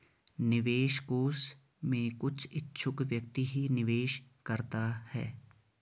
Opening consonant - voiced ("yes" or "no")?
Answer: yes